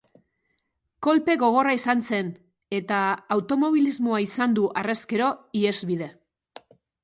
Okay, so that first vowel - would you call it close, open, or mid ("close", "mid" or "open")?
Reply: mid